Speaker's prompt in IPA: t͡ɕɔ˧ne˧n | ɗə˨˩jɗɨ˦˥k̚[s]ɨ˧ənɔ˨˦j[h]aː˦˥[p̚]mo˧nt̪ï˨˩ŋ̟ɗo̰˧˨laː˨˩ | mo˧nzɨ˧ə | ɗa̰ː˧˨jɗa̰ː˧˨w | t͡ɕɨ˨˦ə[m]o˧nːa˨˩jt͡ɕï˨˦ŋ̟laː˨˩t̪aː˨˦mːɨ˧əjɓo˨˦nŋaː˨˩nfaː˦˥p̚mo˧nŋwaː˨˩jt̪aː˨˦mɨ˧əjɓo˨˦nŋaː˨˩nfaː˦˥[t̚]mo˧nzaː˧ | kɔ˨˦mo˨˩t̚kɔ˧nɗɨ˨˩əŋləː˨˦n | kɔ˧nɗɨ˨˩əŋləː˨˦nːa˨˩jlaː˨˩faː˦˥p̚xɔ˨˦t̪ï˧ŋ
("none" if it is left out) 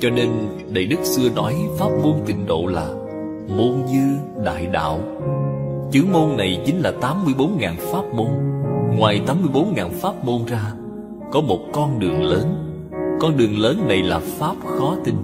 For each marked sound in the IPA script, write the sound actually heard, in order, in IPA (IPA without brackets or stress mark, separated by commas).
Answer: s, f, p̚, m, p̚